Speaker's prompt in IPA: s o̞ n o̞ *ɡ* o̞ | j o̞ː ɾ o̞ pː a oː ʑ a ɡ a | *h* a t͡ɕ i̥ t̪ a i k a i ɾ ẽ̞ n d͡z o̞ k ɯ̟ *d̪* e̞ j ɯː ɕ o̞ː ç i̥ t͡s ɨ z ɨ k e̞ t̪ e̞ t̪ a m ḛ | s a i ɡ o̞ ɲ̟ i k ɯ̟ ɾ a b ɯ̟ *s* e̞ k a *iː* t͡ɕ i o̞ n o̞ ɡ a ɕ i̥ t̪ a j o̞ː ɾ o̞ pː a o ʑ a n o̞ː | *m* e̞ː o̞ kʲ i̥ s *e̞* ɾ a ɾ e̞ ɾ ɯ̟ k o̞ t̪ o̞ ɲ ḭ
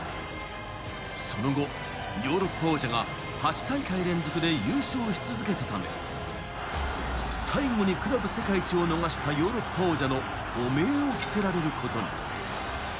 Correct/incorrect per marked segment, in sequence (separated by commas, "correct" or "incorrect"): correct, correct, correct, correct, incorrect, correct, correct